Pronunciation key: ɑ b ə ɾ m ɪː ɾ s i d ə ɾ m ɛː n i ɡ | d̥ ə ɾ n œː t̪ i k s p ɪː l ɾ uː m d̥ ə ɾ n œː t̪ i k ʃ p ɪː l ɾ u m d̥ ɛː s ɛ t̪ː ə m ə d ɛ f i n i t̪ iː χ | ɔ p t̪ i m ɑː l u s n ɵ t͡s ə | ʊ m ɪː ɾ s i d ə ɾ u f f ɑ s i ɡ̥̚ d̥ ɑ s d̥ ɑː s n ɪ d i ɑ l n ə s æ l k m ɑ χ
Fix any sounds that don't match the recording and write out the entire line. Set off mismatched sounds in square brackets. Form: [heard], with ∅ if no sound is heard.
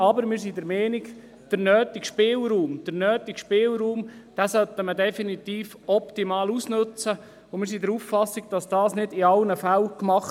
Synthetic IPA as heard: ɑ b ə ɾ m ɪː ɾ s i d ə ɾ m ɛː n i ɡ | d̥ ə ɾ n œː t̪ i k [ʃ] p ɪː l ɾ uː m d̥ ə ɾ n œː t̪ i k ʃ p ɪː l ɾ [uː] m d̥ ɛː s [œ] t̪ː ə m ə d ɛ f i n i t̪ iː [f] | ɔ p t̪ i m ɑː l u s n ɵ t͡s ə | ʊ m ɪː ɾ s i d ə ɾ u f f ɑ s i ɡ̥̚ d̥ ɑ s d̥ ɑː s n ɪ d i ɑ l n ə [f] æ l k m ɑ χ

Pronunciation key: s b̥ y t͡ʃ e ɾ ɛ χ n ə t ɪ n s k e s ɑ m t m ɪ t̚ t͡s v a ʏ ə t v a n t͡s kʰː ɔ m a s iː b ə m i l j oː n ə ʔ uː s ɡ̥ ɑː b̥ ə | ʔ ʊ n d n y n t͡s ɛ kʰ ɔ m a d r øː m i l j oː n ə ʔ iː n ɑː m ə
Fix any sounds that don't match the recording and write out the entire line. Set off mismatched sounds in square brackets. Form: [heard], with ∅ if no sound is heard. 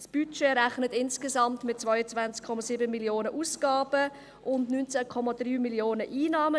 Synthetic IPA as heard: s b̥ y t͡ʃ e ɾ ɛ χ n ə t ɪ n s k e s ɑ m t m ɪ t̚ t͡s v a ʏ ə [t͡s] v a n t͡s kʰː ɔ m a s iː b ə m i l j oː n ə ʔ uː s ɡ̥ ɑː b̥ ə | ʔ ʊ n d n y n t͡s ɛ kʰ ɔ m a d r [yː] m i l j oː n ə ʔ iː n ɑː m ə

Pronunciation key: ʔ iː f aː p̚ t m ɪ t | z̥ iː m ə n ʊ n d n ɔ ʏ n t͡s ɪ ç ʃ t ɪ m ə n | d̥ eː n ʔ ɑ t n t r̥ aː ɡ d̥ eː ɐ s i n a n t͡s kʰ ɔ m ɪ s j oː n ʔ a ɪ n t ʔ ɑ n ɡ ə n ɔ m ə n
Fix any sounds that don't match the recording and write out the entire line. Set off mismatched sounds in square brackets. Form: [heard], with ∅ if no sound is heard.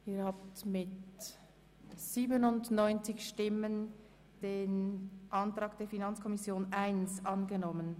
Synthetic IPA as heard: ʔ iː [h] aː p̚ t m ɪ t | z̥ iː [b] ə n ʊ n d n ɔ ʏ n t͡s ɪ ç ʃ t ɪ m ə n | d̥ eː n ʔ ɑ [∅] n t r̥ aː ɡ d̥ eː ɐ [f] i n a n t͡s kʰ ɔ m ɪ s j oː n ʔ a ɪ n [s] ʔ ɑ n ɡ ə n ɔ m ə n

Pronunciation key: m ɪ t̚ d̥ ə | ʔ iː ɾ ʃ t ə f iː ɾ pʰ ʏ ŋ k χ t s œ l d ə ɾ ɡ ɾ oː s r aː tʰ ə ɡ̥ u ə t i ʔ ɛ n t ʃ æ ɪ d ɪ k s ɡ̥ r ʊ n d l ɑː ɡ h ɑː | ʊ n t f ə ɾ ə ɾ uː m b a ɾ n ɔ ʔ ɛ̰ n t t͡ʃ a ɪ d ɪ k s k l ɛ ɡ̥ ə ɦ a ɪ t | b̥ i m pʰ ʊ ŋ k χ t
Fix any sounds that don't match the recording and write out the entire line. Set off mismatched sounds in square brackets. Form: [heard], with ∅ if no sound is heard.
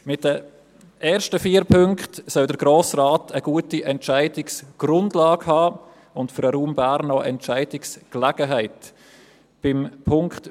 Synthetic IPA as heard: m ɪ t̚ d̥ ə | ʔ [ɛː] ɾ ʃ t ə f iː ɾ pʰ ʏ ŋ k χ t s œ l d ə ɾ ɡ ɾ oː s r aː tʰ ə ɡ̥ u ə t i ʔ ɛ n t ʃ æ ɪ d ɪ k s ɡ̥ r ʊ n d l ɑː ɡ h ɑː | ʊ n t f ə ɾ ə ɾ uː m b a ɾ n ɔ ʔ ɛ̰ n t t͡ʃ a ɪ d ɪ k s k l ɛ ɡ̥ ə ɦ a ɪ t | b̥ [ɪ] m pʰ ʊ ŋ k χ t

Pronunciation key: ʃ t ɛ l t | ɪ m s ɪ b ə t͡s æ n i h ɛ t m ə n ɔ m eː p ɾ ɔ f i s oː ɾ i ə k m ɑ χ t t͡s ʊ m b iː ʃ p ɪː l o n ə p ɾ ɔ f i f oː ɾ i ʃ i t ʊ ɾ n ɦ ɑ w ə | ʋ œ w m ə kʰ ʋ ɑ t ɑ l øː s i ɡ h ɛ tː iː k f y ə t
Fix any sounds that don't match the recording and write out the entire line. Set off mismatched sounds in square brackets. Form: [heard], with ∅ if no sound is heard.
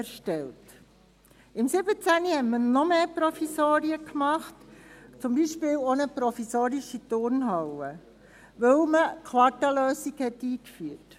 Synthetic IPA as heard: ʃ t ɛ l t | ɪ m s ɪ b ə t͡s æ n i h ɛ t m ə n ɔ m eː p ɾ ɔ f i s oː ɾ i ə k m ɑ χ t t͡s ʊ m b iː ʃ p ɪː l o n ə p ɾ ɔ f i [s] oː ɾ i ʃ i t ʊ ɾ n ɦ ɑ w ə | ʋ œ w m ə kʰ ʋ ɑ t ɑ l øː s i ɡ h ɛ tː iː k f y ə t

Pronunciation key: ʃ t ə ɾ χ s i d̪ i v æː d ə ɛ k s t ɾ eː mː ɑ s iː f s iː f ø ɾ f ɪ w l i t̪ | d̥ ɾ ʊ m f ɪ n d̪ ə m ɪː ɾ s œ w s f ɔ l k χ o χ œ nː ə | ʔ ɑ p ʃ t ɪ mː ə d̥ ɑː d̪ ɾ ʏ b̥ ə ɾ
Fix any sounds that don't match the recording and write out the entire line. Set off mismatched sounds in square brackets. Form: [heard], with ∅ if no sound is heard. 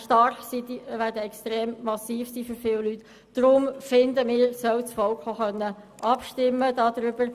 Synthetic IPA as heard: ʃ t [ɑ] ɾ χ s i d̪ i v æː d ə ɛ k s t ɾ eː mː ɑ s iː f s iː f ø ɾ f ɪ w l [y] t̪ | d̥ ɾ ʊ m f ɪ n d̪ ə m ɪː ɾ s œ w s f ɔ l k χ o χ œ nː ə | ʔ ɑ p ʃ t ɪ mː ə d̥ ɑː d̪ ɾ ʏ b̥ ə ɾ

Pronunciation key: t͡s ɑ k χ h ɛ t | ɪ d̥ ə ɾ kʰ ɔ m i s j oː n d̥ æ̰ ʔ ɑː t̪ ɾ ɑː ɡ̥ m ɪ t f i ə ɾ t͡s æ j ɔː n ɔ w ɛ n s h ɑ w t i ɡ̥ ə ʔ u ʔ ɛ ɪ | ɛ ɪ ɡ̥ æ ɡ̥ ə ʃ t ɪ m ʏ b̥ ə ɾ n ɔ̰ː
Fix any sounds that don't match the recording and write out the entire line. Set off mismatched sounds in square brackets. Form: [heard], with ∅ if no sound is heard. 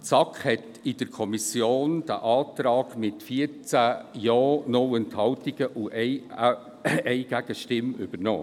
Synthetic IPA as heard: t͡s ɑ k χ h ɛ t | ɪ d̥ ə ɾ kʰ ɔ m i s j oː n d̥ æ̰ ʔ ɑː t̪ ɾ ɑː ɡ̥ m ɪ t f i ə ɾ t͡s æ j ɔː n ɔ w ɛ n [t] h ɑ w t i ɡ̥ ə ʔ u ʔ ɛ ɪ | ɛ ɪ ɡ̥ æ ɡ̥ ə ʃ t ɪ m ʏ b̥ ə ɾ n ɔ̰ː

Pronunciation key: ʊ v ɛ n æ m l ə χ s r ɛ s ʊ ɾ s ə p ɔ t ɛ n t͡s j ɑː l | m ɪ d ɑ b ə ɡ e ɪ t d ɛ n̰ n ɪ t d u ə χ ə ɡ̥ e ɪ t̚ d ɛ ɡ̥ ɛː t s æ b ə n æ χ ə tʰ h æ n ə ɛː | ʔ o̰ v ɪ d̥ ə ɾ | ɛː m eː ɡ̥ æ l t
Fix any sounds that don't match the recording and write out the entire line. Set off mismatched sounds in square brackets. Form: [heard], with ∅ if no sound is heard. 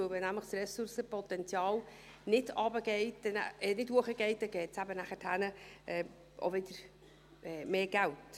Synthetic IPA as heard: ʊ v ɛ n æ m l ə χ s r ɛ s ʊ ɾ s ə p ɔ t ɛ n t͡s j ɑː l | [n] ɪ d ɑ b ə ɡ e ɪ t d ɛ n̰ n ɪ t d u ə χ ə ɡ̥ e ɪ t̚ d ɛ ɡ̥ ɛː t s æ b ə n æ χ ə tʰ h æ n ə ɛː | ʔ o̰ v ɪ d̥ ə ɾ | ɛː m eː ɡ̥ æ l t

